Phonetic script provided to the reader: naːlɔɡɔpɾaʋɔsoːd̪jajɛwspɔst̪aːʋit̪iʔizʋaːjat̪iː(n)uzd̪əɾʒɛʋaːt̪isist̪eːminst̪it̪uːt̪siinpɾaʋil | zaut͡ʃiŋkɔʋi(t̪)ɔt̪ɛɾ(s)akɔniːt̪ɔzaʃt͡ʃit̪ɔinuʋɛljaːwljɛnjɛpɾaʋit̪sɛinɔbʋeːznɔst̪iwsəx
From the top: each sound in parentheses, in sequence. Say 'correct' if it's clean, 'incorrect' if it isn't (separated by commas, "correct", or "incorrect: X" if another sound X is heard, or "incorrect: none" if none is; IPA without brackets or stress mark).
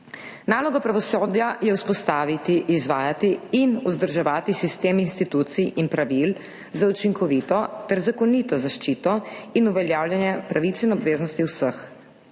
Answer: correct, correct, incorrect: z